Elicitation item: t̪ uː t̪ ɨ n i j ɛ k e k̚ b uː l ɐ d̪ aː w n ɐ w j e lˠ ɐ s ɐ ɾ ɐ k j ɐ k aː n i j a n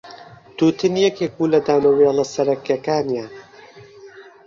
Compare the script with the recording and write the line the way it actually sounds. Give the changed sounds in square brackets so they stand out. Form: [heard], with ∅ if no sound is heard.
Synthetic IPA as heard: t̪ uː t̪ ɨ n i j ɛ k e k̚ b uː l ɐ d̪ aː w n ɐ w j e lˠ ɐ s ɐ ɾ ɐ k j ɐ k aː n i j a n